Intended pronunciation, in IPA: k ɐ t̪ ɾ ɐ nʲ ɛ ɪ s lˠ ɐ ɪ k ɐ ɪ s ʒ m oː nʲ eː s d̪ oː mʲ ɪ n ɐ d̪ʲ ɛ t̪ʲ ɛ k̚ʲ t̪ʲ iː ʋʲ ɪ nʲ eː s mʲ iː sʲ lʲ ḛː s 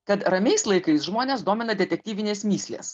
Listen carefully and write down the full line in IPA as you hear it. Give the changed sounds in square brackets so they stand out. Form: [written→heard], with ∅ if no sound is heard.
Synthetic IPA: k ɐ t̪ ɾ ɐ [nʲ→mʲ] ɛ ɪ s lˠ ɐ ɪ k ɐ ɪ s ʒ m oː nʲ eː s d̪ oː mʲ ɪ n ɐ d̪ʲ ɛ t̪ʲ ɛ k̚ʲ t̪ʲ iː ʋʲ ɪ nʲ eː s mʲ iː sʲ lʲ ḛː s